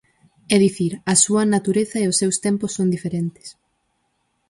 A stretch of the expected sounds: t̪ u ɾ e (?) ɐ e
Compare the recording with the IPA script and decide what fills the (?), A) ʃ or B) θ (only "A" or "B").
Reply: B